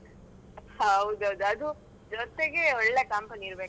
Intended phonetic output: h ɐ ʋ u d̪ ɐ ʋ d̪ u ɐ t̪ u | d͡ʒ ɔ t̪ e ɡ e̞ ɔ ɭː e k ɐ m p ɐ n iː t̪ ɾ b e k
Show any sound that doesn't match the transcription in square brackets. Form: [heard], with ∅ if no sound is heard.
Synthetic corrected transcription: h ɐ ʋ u d̪ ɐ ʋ d̪ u ɐ [d̪] u | d͡ʒ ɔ t̪ e ɡ e̞ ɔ ɭː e k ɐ m p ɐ n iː [∅] ɾ b e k